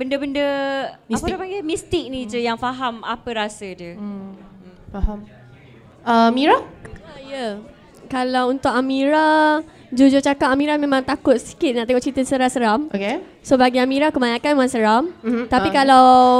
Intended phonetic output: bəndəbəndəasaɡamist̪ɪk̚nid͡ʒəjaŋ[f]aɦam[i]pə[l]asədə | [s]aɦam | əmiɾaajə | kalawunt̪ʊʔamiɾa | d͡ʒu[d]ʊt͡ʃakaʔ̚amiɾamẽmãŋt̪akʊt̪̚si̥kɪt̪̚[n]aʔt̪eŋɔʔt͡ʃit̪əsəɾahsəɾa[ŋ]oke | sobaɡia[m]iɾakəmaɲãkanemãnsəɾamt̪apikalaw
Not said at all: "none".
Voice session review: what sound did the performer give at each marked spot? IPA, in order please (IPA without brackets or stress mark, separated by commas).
f, a, ɾ, f, d͡ʒ, n, m, m